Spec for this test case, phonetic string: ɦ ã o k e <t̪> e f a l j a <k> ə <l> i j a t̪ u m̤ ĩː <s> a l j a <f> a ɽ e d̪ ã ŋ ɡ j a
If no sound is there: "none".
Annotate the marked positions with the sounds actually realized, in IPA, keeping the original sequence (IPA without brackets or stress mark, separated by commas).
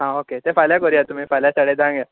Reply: t̪, k, ɾ, f, s